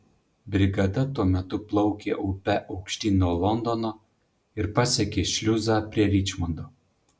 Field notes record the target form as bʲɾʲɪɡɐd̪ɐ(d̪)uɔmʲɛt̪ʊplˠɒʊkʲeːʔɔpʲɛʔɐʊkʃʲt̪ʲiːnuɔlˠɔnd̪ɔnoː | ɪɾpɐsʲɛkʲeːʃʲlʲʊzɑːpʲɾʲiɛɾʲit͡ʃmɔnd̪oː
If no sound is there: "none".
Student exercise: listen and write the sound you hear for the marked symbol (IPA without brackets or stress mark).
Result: t̪